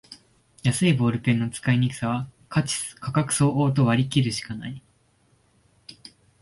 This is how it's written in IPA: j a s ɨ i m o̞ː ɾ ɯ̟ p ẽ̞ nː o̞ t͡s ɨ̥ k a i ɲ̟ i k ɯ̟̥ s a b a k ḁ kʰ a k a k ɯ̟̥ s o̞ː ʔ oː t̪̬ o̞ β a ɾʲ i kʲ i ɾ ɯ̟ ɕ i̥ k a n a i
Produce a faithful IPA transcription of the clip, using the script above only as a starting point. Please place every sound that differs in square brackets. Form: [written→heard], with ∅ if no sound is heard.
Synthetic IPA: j a s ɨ i [m→b] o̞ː ɾ ɯ̟ p ẽ̞ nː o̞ t͡s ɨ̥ k a i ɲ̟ i k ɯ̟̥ s a [b→β] a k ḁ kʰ a k a k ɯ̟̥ s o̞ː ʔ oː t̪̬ o̞ β a ɾʲ i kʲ i ɾ ɯ̟ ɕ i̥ k a n a i